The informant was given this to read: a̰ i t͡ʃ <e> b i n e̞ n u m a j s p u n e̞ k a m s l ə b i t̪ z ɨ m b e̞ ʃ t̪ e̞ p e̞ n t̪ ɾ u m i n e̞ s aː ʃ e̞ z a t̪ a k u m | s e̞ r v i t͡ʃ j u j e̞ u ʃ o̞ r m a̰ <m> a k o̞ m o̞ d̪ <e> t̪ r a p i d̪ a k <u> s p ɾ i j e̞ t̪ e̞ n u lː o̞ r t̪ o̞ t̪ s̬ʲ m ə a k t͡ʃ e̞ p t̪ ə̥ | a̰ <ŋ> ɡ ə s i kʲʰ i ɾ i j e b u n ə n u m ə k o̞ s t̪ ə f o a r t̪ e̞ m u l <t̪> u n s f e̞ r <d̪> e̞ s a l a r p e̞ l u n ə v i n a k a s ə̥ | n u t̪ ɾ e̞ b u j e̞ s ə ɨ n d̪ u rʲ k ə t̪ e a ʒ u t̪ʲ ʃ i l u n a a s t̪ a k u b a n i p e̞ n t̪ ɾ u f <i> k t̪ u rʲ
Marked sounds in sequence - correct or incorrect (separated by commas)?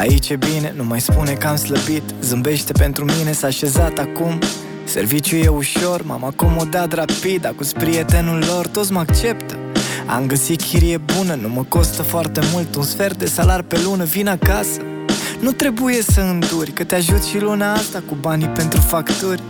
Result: correct, correct, incorrect, correct, incorrect, correct, correct, incorrect